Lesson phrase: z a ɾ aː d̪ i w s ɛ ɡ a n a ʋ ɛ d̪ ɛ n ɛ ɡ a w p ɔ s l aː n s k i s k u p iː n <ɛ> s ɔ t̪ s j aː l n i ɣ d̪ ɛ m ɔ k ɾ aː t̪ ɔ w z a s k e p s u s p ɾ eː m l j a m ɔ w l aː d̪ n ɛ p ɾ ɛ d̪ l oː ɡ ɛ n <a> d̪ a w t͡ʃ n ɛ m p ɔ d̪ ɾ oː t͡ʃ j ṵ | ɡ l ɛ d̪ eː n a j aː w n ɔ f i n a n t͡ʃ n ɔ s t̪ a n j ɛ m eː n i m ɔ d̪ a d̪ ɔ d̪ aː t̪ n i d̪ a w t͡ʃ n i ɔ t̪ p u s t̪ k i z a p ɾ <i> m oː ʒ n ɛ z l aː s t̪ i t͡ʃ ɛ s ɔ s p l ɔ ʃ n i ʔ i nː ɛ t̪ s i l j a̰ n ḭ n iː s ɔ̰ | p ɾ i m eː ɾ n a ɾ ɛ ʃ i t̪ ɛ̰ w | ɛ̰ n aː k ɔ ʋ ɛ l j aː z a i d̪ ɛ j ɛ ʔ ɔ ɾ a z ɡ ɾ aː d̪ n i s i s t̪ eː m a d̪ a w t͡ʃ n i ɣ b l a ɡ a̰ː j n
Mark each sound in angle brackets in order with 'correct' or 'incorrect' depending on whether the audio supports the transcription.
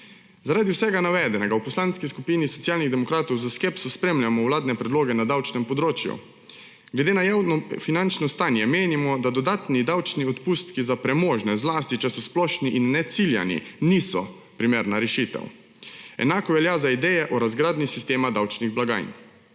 incorrect: i, correct, incorrect: ɛ

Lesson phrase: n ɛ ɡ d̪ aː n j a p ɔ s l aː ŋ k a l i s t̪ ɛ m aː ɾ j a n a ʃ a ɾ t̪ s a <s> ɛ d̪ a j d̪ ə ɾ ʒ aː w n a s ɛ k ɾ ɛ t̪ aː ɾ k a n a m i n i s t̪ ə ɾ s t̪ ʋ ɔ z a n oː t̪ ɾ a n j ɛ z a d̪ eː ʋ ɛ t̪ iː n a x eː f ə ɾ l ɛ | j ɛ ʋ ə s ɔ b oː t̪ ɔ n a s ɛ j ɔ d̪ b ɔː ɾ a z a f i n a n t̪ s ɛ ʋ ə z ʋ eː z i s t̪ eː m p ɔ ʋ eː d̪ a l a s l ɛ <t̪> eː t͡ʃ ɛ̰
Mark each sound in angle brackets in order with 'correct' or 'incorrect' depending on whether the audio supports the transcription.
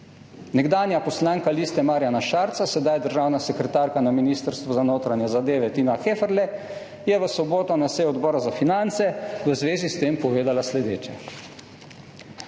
correct, incorrect: d̪

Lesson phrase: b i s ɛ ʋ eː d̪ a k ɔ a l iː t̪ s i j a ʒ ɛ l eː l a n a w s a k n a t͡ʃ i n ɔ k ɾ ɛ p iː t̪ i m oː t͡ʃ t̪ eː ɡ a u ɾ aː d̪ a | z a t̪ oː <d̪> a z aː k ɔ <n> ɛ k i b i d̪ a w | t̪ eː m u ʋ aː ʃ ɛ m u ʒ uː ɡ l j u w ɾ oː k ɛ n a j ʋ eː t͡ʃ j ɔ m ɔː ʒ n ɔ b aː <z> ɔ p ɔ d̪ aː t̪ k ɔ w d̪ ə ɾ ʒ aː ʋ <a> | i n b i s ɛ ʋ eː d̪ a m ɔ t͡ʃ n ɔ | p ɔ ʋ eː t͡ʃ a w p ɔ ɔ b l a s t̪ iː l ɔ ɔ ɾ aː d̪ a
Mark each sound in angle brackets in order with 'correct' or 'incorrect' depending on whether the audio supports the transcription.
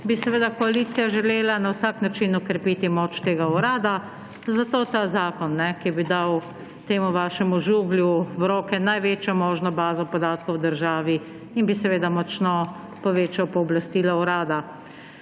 incorrect: t̪, incorrect: nː, correct, incorrect: i

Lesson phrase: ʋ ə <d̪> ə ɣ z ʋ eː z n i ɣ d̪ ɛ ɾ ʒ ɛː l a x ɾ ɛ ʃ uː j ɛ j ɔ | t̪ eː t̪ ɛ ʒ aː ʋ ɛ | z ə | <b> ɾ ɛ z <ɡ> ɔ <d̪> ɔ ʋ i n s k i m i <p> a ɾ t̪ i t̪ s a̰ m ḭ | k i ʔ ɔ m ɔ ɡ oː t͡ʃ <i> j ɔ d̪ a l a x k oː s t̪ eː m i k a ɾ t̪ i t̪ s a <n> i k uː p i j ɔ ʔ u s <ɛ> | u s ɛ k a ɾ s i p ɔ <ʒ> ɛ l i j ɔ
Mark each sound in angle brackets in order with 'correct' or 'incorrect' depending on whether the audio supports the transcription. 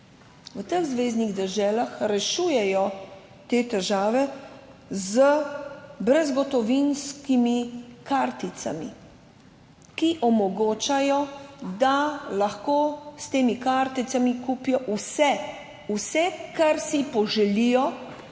incorrect: t̪, correct, correct, incorrect: t̪, incorrect: k, incorrect: a, incorrect: m, correct, correct

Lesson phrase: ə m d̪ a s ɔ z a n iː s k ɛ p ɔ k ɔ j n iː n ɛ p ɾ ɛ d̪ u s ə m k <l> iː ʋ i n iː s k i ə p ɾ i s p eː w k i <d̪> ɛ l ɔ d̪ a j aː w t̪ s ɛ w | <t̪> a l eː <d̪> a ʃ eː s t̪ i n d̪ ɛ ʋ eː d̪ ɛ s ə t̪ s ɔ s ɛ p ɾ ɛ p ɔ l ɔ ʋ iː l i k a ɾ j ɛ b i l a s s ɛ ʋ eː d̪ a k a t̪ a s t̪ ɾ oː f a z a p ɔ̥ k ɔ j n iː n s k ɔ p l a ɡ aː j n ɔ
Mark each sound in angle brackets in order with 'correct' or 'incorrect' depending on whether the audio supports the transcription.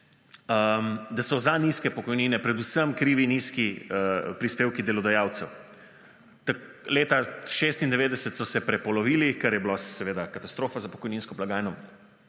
incorrect: ɾ, correct, correct, incorrect: t̪

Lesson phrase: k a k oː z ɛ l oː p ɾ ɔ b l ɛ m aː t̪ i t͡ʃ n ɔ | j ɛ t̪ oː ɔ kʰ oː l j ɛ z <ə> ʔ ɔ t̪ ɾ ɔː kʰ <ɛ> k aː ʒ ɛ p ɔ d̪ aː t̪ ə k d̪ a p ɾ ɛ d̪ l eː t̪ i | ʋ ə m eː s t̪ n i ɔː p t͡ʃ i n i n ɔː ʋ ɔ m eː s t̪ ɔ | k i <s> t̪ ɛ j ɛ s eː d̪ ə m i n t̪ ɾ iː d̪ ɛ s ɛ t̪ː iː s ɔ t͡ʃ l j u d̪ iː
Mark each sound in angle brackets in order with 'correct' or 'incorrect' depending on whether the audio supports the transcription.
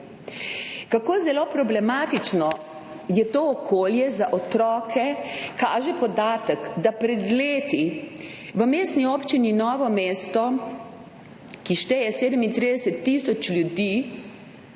incorrect: a, correct, incorrect: ʃ

